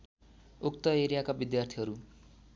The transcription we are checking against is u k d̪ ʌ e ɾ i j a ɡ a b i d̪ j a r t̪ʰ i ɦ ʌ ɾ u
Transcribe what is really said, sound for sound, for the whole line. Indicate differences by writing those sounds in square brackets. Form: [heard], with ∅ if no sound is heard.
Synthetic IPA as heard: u k [t̪] ʌ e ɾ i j a [k] a b i d̪ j a r t̪ʰ i ɦ ʌ ɾ u

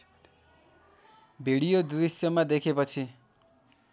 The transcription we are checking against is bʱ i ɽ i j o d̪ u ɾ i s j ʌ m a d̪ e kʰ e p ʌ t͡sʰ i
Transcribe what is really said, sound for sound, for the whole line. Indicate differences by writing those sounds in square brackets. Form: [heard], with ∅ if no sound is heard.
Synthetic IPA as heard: bʱ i ɽ i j o d̪ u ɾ i s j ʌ m a d̪ e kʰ e p ʌ t͡sʰ i

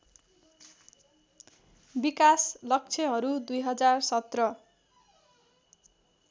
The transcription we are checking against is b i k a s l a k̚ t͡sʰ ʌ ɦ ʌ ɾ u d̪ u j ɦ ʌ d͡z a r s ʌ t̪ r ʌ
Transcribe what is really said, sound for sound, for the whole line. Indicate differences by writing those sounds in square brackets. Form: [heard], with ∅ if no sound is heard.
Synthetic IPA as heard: b i k a s l [ʌ] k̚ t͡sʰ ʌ ɦ ʌ ɾ u d̪ u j ɦ ʌ d͡z a r s ʌ t̪ r ʌ

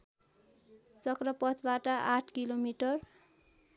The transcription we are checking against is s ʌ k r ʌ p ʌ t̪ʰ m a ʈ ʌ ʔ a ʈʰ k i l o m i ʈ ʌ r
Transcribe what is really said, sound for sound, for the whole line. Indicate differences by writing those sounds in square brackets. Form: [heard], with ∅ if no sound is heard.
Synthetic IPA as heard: [t͡s] ʌ k r ʌ p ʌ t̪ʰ [b] a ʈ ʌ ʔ a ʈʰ k i l o m i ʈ ʌ r

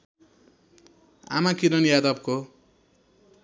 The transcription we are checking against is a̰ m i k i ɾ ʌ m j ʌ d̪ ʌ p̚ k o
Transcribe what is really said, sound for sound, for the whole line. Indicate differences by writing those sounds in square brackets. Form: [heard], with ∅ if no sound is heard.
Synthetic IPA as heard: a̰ m [a] k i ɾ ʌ [n] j [a] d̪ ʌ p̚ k o

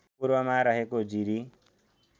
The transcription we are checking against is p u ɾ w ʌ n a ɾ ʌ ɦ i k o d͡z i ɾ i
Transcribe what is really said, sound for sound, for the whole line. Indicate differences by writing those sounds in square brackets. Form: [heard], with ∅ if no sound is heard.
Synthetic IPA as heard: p u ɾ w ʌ [m] a ɾ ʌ ɦ [e] k o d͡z i ɾ i

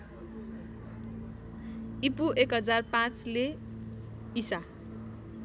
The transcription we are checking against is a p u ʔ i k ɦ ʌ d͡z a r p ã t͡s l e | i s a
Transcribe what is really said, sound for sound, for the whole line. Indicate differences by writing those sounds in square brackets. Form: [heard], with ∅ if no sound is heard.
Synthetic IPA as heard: [i] p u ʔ [e] k ɦ ʌ d͡z a r p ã t͡s l e | i s a

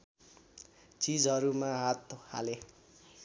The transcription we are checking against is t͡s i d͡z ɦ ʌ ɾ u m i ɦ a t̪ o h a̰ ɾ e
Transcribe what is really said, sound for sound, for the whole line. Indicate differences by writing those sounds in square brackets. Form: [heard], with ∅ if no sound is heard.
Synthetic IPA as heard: t͡s i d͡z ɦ ʌ ɾ u m [a] ɦ a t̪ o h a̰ [l] e

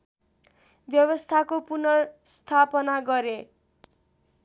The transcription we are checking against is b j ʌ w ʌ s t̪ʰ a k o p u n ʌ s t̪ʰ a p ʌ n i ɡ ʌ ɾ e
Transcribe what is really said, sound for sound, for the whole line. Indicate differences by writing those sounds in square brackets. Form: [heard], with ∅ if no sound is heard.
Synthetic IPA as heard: b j ʌ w ʌ s t̪ʰ a k o p u n ʌ s t̪ʰ a p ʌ n [a] ɡ ʌ ɾ e

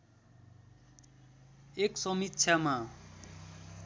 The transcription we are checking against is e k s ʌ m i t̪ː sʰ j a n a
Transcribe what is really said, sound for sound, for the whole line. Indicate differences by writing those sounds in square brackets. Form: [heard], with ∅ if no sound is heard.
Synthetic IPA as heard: e k s ʌ m i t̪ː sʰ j a [m] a

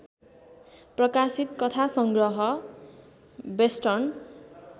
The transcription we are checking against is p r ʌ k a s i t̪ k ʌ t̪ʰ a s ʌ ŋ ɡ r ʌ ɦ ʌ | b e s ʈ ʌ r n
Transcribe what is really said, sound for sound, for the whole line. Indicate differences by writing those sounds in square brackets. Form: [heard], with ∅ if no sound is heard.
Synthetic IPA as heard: p r ʌ k a s i t̪ k ʌ t̪ʰ a s ʌ ŋ ɡ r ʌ ɦ ʌ | b e s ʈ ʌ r n

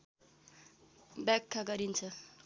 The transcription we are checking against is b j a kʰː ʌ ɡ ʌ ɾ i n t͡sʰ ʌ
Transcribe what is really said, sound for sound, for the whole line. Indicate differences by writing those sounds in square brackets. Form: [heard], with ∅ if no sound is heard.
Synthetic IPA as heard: b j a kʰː [a] ɡ ʌ ɾ i n t͡sʰ ʌ

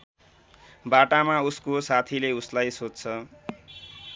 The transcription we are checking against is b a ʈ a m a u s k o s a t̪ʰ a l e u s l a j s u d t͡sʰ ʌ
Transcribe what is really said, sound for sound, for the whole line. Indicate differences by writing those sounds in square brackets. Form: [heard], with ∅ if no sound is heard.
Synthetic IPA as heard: b a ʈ a m a u s k o s a t̪ʰ [i] l e u s l a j s [o] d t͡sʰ ʌ

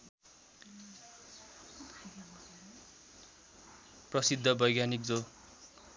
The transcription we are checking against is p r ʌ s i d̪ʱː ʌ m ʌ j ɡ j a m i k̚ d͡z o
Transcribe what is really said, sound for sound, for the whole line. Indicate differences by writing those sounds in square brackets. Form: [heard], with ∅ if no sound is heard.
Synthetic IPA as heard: p r ʌ s i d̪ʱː ʌ [b] ʌ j ɡ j a [n] i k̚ d͡z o

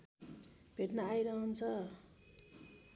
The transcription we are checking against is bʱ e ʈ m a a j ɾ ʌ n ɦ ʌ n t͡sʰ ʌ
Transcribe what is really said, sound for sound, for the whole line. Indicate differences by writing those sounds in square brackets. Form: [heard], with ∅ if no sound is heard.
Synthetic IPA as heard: bʱ e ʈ [n] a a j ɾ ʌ [∅] ɦ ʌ n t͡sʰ ʌ

